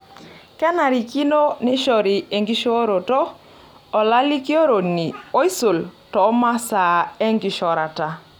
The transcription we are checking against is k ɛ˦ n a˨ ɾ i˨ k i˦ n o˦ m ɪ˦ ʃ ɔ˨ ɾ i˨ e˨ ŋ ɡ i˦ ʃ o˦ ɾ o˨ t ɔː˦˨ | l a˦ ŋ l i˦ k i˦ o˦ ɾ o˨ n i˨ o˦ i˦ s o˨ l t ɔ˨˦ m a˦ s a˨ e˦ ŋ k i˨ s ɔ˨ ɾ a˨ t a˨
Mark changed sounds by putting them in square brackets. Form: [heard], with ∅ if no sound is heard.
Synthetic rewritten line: k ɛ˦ n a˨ ɾ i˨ k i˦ n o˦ [n] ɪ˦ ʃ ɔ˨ ɾ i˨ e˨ ŋ ɡ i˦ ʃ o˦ ɾ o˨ t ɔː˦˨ | l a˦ [∅] l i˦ k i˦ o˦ ɾ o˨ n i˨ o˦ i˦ s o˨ l t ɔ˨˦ m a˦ s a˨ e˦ ŋ [ɡ] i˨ [ʃ] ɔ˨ ɾ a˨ t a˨